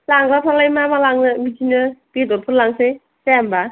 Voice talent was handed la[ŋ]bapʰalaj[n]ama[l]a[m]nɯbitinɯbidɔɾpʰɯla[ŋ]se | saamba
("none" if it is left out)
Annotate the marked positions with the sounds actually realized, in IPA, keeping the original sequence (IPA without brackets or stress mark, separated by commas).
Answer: ŋ, m, l, ŋ, ŋ